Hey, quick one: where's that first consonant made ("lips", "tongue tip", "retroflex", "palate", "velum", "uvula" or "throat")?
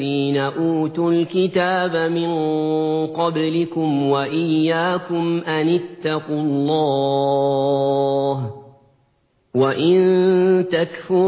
tongue tip